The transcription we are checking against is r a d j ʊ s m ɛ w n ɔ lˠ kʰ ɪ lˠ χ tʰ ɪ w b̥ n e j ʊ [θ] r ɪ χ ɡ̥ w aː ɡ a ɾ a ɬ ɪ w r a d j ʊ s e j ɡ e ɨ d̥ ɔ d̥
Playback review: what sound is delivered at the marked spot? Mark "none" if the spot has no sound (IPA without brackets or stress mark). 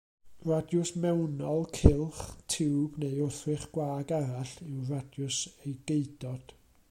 θ